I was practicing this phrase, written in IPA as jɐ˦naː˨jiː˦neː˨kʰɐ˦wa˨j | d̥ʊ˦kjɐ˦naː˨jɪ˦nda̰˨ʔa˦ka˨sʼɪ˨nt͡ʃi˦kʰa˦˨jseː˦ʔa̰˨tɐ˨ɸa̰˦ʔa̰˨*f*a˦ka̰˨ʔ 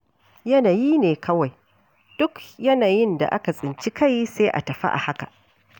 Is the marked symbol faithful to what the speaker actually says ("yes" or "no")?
no